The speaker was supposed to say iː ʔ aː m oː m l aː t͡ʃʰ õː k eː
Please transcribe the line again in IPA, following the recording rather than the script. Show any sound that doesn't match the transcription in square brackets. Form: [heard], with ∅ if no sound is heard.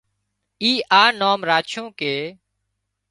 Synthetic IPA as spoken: iː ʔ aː [n] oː m [ɾ] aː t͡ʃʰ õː k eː